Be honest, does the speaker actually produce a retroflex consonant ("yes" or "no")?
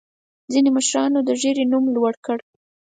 yes